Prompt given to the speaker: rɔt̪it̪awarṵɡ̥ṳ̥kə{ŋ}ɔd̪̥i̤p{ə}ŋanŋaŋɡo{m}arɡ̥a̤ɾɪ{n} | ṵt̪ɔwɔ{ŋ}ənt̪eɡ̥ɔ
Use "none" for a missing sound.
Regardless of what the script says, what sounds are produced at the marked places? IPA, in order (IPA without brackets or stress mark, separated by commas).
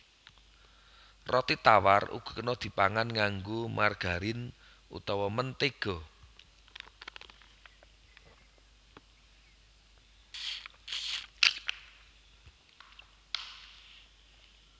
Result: n, a, m, n, m